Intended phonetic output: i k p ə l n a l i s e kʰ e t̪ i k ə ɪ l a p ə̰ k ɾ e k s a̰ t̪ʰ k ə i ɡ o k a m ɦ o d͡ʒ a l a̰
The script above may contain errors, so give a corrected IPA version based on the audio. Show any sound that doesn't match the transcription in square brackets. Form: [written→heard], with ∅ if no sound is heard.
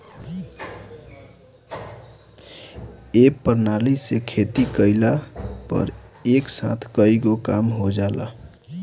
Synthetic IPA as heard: [i→e] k p ə [l→ɾ] n a l i s e kʰ e t̪ i k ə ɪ l a p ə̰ [k→∅] ɾ e k s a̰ t̪ʰ k ə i ɡ o k a m ɦ o d͡ʒ a l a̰